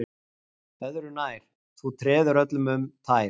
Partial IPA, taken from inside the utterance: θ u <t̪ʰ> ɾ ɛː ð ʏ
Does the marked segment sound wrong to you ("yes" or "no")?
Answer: no